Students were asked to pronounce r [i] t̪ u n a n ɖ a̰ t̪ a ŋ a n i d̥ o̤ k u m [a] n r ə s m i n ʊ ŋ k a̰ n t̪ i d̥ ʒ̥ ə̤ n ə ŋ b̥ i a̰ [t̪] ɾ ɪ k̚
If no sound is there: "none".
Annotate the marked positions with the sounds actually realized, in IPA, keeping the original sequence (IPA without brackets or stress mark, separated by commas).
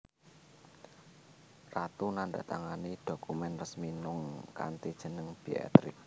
a, ɛ, t̪